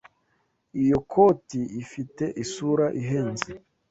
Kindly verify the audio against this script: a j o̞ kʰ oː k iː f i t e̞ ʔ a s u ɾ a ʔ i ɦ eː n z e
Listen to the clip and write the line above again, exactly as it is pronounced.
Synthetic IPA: i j o̞ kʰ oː t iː f i t e̞ ʔ i s u ɾ a ʔ i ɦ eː n z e